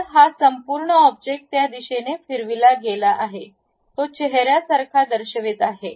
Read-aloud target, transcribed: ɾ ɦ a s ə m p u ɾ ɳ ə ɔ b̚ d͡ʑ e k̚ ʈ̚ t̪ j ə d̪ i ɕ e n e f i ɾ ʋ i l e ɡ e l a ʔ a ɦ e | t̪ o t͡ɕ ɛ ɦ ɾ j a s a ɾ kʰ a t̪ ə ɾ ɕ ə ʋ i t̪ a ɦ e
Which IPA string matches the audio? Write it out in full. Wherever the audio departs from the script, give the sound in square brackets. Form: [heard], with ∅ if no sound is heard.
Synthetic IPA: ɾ ɦ a s ə m p u ɾ ɳ ə ɔ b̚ d͡ʑ e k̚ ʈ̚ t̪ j [a] d̪ i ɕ e n e f i ɾ ʋ i l [a] ɡ e l a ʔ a ɦ e | t̪ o t͡ɕ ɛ ɦ ɾ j a s a ɾ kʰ a [d̪] ə ɾ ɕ ə ʋ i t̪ a ɦ e